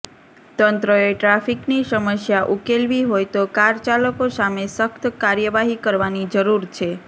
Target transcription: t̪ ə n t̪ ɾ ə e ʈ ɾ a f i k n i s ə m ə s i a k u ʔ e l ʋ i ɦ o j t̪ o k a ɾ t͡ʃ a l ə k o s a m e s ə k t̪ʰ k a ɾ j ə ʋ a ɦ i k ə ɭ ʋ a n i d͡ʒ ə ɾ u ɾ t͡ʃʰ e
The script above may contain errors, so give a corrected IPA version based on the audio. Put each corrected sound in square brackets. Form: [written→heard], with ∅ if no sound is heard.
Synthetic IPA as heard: t̪ ə n t̪ ɾ ə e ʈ ɾ a f i k n i s ə m ə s [i→j] a [k→ʔ] u [ʔ→k] e l ʋ i ɦ o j t̪ o k a ɾ t͡ʃ a l ə k o s a m e s ə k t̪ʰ k a ɾ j ə ʋ a ɦ i k ə [ɭ→ɾ] ʋ a n i d͡ʒ ə ɾ u ɾ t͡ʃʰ e